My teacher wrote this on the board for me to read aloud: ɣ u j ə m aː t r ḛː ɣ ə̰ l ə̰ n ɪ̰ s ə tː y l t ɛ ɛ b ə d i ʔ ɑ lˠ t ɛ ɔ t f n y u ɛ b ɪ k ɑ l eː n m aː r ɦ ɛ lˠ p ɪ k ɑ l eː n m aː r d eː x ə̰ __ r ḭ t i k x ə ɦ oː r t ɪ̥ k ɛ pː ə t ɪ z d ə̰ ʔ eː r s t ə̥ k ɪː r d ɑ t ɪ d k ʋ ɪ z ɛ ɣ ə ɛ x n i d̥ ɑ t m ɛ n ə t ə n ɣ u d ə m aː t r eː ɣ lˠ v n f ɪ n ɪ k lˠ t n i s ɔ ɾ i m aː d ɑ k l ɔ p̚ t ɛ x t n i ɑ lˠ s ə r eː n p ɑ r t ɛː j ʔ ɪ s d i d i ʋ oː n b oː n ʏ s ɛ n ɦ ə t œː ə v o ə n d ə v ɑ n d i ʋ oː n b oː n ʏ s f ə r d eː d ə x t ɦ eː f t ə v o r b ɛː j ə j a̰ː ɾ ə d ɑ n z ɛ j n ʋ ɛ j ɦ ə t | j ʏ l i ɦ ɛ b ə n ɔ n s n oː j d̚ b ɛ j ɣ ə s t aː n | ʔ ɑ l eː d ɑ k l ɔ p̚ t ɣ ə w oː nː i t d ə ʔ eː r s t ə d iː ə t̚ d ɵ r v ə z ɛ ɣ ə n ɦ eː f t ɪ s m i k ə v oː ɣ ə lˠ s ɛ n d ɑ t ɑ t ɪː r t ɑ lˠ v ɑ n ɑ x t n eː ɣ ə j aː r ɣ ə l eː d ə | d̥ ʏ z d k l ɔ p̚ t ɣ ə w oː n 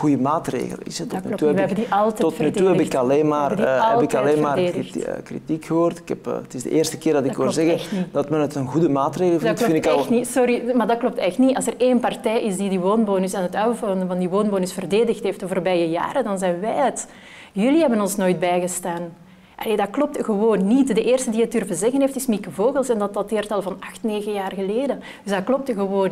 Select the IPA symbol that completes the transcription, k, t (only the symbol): k